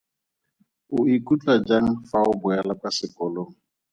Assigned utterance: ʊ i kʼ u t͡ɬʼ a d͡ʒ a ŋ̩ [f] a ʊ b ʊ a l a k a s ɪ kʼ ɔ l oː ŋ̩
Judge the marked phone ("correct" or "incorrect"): correct